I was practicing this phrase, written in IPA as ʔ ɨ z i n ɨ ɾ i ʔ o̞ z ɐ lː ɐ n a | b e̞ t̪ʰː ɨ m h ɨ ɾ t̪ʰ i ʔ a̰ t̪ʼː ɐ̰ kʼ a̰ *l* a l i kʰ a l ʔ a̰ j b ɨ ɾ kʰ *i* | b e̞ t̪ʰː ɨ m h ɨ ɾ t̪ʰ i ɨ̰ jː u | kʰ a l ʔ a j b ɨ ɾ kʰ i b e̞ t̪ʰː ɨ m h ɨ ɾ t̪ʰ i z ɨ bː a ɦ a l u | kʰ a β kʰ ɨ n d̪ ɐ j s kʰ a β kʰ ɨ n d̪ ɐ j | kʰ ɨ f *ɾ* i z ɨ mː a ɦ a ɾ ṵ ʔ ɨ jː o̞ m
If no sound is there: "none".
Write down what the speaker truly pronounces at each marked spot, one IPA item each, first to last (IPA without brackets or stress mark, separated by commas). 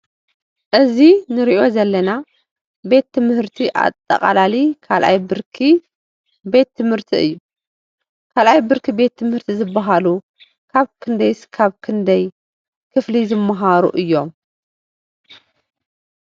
l, i, l